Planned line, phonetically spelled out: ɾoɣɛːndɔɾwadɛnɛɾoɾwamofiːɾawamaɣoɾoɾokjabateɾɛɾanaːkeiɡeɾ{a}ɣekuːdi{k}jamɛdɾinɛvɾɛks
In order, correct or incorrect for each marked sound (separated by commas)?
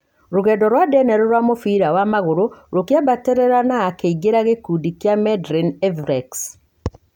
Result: correct, correct